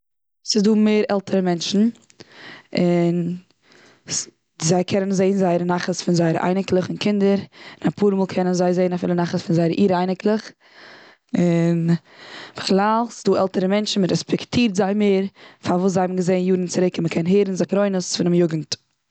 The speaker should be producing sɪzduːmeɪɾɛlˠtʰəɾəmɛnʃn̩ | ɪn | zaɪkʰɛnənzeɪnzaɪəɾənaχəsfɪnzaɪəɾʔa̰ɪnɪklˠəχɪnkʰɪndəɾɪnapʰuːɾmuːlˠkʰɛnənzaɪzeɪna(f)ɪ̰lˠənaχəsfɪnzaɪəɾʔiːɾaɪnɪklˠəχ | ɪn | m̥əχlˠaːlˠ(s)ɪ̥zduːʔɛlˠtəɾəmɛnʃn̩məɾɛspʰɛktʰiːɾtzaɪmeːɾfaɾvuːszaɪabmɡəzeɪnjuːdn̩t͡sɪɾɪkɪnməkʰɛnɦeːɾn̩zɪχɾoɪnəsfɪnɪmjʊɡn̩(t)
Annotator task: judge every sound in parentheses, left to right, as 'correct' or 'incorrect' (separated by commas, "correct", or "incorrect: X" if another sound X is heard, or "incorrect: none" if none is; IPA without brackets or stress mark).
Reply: correct, correct, correct